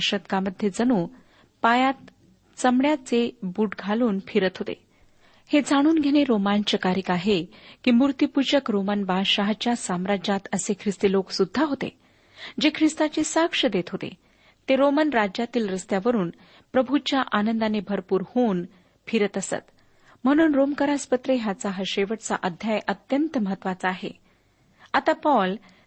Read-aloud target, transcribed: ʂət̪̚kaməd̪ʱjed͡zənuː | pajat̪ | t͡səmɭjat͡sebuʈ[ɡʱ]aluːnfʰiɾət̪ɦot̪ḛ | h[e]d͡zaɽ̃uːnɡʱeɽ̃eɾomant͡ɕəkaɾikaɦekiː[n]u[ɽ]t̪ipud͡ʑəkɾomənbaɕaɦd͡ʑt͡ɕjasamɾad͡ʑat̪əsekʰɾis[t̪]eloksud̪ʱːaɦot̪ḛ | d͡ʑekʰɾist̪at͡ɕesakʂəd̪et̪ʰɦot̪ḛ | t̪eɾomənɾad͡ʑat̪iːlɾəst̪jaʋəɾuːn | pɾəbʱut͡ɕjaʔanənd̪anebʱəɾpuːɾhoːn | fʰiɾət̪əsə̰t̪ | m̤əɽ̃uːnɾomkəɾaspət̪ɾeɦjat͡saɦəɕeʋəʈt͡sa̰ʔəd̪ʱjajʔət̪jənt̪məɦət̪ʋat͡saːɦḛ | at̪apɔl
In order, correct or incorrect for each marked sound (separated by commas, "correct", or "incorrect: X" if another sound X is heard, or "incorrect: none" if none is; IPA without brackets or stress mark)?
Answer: correct, correct, incorrect: m, incorrect: ɾ, correct